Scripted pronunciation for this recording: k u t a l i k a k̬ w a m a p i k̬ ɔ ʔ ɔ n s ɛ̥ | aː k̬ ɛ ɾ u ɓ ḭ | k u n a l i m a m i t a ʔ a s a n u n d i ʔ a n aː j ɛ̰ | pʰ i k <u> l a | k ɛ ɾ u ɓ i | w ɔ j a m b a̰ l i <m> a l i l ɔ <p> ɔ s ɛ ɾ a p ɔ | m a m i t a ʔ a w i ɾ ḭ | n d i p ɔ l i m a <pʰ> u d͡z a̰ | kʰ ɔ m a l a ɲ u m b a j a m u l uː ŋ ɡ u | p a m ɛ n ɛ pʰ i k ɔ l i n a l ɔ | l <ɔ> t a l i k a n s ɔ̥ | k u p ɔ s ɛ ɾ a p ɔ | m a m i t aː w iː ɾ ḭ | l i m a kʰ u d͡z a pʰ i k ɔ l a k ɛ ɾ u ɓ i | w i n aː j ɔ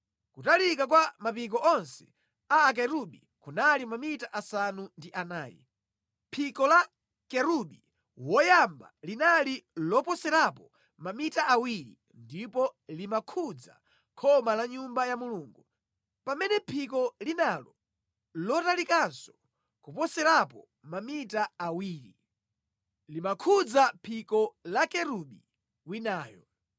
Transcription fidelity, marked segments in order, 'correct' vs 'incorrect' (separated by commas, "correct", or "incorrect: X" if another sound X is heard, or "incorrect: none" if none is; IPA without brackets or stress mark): incorrect: ɔ, incorrect: n, correct, incorrect: kʰ, correct